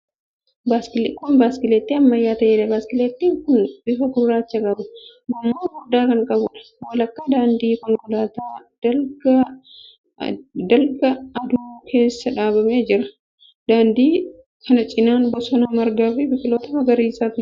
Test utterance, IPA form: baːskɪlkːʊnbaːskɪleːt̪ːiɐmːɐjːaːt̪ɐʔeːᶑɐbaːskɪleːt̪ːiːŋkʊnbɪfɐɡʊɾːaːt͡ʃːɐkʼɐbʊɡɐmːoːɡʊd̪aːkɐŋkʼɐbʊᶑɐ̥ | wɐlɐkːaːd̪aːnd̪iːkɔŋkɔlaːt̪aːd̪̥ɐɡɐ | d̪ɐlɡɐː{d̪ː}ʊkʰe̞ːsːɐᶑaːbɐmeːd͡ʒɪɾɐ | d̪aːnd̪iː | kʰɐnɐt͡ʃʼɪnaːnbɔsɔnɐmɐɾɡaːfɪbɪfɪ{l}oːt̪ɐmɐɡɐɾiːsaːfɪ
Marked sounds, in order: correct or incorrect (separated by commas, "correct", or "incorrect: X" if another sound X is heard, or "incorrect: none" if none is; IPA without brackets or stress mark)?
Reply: incorrect: d̪, correct